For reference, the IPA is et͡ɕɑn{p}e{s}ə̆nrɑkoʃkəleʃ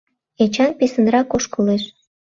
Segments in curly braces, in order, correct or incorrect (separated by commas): correct, correct